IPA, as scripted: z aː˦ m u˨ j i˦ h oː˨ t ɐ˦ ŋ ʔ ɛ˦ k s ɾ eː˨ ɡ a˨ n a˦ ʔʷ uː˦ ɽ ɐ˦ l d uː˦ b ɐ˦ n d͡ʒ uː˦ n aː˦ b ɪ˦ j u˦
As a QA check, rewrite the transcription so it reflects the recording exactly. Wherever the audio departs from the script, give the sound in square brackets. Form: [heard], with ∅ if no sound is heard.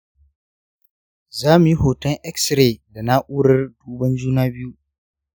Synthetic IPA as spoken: z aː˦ m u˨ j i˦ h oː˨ t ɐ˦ ŋ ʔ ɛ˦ k s ɾ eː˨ [d] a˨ n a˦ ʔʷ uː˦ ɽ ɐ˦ [r] d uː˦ b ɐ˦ n d͡ʒ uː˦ n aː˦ b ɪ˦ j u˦

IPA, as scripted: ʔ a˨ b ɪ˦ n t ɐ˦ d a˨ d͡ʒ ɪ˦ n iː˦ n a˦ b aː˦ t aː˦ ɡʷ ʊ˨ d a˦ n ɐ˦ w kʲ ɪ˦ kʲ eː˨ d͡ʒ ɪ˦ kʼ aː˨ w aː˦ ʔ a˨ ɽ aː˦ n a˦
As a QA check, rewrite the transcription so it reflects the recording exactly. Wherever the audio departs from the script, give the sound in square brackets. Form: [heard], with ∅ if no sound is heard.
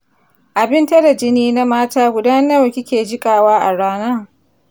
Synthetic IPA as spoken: ʔ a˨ b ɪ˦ n t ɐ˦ d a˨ d͡ʒ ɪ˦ n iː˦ n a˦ [m] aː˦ t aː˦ ɡʷ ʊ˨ d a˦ n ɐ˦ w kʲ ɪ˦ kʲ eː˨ d͡ʒ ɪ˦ kʼ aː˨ w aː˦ ʔ a˨ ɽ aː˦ n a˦

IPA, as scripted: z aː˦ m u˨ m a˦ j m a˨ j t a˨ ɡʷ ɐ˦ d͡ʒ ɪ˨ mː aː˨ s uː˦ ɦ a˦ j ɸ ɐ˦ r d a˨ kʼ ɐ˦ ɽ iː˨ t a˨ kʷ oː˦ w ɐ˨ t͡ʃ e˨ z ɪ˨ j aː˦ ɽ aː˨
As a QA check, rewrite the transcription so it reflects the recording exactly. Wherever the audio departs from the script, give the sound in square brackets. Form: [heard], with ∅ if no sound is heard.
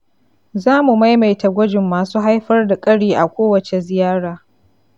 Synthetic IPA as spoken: z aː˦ m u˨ m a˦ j m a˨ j t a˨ ɡʷ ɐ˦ d͡ʒ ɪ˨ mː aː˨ s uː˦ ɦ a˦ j ɸ ɐ˦ r d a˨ kʼ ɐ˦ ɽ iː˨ [ʔ] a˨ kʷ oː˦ w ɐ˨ t͡ʃ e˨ z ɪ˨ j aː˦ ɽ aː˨

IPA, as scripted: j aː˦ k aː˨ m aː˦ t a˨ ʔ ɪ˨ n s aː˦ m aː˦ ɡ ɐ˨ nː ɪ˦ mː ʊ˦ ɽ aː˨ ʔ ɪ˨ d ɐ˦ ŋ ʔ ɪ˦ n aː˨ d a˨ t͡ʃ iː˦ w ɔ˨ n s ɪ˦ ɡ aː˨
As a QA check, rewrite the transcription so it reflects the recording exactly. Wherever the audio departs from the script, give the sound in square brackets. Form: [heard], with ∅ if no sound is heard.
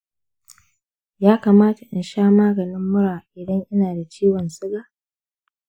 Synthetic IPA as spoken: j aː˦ k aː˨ m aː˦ t a˨ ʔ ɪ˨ n [ʃ] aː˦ m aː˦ ɡ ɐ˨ [n] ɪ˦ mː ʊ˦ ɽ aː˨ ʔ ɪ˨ d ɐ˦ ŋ ʔ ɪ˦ n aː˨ d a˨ t͡ʃ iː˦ w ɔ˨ n s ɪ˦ ɡ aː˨

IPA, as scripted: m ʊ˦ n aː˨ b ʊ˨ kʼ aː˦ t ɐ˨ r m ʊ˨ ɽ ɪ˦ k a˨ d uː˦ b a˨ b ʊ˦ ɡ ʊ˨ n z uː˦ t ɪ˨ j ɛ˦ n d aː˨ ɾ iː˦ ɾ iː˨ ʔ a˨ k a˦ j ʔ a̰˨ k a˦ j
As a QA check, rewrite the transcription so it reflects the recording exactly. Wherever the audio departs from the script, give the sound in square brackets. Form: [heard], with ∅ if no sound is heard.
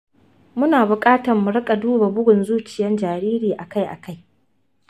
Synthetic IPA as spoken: m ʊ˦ n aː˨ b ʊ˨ kʼ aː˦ t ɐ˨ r m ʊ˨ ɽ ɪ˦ [kʼ] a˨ d uː˦ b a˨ b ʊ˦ ɡ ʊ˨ n z uː˦ [t͡ʃ] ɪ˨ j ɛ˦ n [d͡ʒ] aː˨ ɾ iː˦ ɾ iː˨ ʔ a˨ k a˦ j ʔ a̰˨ k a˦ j

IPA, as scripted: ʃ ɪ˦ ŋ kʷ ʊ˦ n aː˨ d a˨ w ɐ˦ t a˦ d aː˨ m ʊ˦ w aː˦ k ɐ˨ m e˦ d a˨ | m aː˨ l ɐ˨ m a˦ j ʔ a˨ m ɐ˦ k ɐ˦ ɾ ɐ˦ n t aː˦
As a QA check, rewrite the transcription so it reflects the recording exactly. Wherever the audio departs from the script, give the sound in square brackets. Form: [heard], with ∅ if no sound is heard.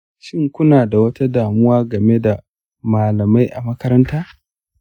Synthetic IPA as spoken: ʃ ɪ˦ ŋ kʷ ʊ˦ n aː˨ d a˨ w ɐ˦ t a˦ d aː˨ m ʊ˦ w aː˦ [ɡ] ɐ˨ m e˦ d a˨ | m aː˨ l ɐ˨ m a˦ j ʔ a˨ m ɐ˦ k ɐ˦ ɾ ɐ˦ n t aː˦

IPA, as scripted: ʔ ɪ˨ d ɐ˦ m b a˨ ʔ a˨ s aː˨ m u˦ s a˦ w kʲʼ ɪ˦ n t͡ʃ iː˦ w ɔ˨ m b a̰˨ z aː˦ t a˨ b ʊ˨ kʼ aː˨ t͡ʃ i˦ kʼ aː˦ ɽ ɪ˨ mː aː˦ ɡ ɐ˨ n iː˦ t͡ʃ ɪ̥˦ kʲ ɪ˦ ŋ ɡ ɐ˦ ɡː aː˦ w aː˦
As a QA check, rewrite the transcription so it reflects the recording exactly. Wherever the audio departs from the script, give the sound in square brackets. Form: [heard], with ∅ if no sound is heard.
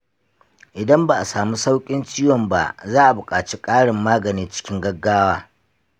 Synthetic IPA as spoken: ʔ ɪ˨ d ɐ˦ m b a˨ ʔ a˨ s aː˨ m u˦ s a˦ w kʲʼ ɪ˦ n t͡ʃ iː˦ w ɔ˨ m b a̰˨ z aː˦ [ʔ] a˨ b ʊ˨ kʼ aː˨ t͡ʃ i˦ kʼ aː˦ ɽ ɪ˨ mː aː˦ ɡ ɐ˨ n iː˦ t͡ʃ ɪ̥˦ kʲ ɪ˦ ŋ ɡ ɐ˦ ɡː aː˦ w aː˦

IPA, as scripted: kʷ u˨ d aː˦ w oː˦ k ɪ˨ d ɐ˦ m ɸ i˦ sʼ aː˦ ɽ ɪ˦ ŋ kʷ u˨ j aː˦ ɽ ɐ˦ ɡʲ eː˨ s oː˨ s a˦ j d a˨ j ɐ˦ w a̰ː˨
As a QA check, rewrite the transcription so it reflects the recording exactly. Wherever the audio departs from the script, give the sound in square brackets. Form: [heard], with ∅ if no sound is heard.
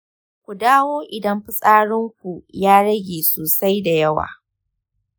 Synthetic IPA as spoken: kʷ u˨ d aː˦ w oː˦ [ʔ] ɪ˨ d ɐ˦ m ɸ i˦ sʼ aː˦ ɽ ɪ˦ ŋ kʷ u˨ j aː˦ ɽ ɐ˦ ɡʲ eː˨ s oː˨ s a˦ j d a˨ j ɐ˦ w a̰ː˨

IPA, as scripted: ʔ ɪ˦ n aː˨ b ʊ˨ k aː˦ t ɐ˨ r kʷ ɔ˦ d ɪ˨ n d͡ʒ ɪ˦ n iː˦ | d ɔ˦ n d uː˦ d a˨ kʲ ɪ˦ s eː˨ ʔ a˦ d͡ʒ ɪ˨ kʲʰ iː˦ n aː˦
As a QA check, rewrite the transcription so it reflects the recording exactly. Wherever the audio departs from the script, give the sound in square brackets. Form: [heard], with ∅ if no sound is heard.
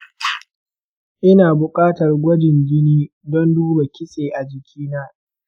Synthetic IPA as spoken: ʔ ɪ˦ n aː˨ b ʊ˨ [kʼ] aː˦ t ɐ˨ r [ɡʷ] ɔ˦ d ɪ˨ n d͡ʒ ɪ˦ n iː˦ | d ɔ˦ n d uː˦ [b] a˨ kʲ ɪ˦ s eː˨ ʔ [a˨] d͡ʒ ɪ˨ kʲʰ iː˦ n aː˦

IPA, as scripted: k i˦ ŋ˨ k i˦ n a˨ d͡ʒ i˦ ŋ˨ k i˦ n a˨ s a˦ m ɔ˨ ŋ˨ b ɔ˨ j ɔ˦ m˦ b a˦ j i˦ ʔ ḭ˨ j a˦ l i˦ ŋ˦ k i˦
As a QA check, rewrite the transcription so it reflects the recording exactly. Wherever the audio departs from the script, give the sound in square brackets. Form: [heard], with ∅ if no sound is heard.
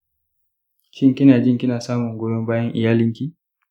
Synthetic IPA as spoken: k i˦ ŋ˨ k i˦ n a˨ d͡ʒ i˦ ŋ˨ k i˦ n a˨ s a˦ m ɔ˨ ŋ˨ [ɡ] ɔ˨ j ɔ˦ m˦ b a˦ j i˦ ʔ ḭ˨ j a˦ l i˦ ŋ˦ k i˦

